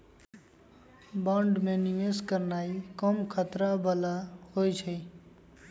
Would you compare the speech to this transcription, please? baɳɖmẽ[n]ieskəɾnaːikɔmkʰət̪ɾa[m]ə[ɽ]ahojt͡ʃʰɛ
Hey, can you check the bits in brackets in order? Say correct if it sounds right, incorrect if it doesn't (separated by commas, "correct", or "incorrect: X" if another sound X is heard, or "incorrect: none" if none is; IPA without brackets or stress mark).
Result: correct, incorrect: b, incorrect: l